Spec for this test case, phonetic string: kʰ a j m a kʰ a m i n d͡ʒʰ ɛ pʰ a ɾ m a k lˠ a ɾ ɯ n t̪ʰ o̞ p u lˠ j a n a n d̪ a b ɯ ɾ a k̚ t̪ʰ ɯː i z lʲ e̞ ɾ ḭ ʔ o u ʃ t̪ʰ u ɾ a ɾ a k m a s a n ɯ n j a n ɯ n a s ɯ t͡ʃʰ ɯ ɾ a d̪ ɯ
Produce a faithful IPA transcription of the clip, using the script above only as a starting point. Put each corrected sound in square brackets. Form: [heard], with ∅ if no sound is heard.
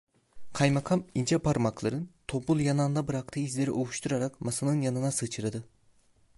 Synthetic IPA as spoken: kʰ a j m a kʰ a m i n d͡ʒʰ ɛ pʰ a ɾ m a k lˠ a ɾ ɯ n t̪ʰ o̞ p u lˠ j a n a n d̪ a b ɯ ɾ a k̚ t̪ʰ ɯː i z lʲ e̞ ɾ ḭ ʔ o u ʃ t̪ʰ u ɾ a ɾ a k m a s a n ɯ n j a n ɯ n a s ɯ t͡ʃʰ ɯ ɾ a d̪ ɯ